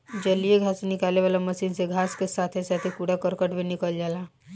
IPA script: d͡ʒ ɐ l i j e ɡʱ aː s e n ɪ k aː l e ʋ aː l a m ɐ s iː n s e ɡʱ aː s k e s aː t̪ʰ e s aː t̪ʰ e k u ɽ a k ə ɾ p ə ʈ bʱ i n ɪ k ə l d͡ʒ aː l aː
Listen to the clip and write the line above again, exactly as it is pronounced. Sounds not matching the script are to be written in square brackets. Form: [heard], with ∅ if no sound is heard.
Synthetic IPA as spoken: d͡ʒ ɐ l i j e ɡʱ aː s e n ɪ k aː l e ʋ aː l a m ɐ s iː n s e ɡʱ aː s k e s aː t̪ʰ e s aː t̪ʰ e k u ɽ a k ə ɾ [k] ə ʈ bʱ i n ɪ k ə l d͡ʒ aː l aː

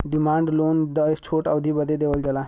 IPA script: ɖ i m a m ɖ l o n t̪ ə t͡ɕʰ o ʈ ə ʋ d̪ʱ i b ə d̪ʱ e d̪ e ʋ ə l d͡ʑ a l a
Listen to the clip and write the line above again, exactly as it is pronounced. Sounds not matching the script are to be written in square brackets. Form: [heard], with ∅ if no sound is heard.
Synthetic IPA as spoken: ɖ i m a [ɳ] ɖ l o n [d̪] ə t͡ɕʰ o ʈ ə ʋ d̪ʱ i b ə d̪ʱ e d̪ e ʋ ə l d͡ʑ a l a

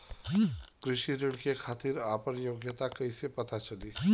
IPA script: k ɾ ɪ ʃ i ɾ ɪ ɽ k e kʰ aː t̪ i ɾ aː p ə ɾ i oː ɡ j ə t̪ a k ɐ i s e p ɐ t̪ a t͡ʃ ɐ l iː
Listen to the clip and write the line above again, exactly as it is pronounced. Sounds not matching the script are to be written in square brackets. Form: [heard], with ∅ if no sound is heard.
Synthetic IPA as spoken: k ɾ ɪ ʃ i ɾ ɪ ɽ k e kʰ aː t̪ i ɾ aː p ə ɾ [j] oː ɡ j ə t̪ a k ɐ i s e p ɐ t̪ a t͡ʃ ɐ l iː

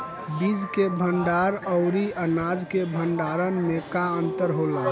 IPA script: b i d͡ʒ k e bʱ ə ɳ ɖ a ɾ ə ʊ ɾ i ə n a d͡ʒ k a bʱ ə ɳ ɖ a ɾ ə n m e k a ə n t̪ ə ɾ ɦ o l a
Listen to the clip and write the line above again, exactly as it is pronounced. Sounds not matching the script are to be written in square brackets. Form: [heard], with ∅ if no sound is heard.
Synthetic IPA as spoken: b i d͡ʒ k e bʱ ə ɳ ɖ a ɾ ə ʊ ɾ i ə n a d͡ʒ k [e] bʱ ə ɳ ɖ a ɾ ə n m e k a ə n t̪ ə ɾ ɦ o l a

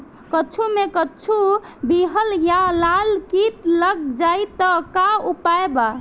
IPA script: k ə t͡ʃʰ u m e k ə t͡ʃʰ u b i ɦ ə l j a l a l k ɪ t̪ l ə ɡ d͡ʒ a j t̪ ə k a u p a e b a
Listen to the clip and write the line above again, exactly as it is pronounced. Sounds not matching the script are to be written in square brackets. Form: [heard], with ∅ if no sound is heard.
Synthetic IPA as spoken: k ə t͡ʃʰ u m e k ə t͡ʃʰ u b i ɦ ə l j a l a l k [i] t̪ l ə ɡ d͡ʒ a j t̪ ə k a u p a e b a

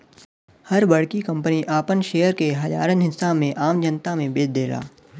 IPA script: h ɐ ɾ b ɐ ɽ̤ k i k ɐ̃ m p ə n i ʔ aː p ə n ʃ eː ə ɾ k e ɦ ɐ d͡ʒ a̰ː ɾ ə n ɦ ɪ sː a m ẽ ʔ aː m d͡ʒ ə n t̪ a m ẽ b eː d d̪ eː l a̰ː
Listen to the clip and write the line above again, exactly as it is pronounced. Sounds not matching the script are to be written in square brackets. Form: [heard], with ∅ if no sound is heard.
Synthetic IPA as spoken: h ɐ ɾ b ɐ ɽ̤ k i k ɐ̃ m p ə n i ʔ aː p ə n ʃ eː ə ɾ k e ɦ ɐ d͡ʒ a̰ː ɾ ə n ɦ ɪ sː a m ẽ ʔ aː m d͡ʒ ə n t̪ a m ẽ b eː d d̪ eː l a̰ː

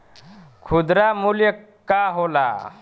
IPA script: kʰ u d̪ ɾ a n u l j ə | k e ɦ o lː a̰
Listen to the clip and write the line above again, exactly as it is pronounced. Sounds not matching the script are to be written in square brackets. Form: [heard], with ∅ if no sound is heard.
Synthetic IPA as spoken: kʰ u d̪ ɾ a [m] u l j ə | k [a] ɦ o [l] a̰

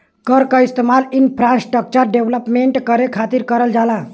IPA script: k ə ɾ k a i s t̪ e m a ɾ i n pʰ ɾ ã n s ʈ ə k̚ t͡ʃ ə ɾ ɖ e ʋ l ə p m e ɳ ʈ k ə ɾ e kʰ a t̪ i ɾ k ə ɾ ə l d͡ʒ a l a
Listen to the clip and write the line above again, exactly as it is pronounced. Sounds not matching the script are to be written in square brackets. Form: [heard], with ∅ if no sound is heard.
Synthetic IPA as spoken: k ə ɾ k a i s t̪ e m a [l] i n pʰ ɾ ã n s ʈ ə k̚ t͡ʃ ə ɾ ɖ e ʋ l ə p m e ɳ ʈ k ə ɾ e kʰ a t̪ i ɾ k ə ɾ ə l d͡ʒ a l a

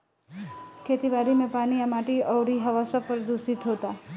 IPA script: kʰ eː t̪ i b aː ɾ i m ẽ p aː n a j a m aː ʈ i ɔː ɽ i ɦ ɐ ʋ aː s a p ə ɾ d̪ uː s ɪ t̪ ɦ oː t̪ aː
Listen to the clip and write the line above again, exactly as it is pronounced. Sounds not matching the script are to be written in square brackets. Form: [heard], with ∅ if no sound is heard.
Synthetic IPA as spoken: kʰ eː t̪ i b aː ɾ i m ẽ p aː n [i] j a m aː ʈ i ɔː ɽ i ɦ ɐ ʋ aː s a p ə ɾ d̪ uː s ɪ t̪ ɦ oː t̪ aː

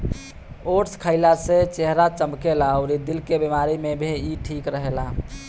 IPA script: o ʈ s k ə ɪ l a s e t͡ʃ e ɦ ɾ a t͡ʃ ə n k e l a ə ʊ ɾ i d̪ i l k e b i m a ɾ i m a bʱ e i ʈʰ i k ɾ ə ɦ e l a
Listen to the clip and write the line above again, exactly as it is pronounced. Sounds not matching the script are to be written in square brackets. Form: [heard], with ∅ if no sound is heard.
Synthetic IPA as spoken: o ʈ s [kʰ] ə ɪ l a s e t͡ʃ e ɦ ɾ a t͡ʃ ə [m] k e l a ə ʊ ɾ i d̪ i l k e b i m a ɾ i m [e] bʱ e i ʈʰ i k ɾ ə ɦ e l a

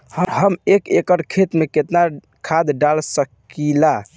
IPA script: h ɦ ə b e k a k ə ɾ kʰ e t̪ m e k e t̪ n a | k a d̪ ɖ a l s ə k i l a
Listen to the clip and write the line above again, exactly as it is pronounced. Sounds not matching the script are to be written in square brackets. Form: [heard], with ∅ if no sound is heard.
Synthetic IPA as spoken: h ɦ ə [m] e k [e] k ə ɾ kʰ e t̪ m e k e t̪ n a | [kʰ] a d̪ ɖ a l s ə k i l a

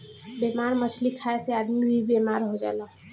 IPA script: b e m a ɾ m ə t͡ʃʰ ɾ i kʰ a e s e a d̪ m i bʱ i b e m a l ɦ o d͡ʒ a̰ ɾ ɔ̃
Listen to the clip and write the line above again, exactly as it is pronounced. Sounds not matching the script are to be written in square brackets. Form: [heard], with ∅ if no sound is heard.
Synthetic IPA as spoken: b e m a ɾ m ə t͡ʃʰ [l] i kʰ a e s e a d̪ m i bʱ i b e m a [ɾ] ɦ o d͡ʒ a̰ [l] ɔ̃

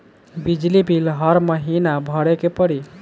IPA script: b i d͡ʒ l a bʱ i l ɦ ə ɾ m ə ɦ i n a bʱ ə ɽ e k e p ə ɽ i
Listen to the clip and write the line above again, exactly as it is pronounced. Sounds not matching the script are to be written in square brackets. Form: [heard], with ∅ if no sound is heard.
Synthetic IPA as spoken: b i d͡ʒ l [i] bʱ i l ɦ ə ɾ m ə ɦ i n a bʱ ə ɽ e k e p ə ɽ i

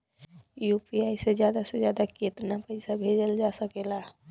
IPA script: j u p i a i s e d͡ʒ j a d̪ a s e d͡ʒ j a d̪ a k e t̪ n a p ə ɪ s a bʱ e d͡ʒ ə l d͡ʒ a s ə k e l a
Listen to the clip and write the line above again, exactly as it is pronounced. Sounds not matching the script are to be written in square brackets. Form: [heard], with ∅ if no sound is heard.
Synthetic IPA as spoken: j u p i a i s e d͡ʒ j a d̪ a s e d͡ʒ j a d̪ a k e t̪ n a p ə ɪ s a bʱ e d͡ʒ ə l d͡ʒ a s ə k e l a

